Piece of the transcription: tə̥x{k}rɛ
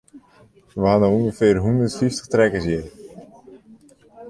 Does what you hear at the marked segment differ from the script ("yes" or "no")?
yes